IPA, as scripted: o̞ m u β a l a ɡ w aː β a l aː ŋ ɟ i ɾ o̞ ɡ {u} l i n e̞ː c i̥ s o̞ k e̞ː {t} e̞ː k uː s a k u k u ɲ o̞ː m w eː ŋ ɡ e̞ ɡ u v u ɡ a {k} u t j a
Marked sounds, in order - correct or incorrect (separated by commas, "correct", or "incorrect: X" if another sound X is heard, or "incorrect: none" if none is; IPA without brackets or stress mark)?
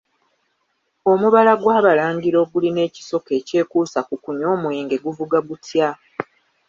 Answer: correct, incorrect: c, incorrect: ɡ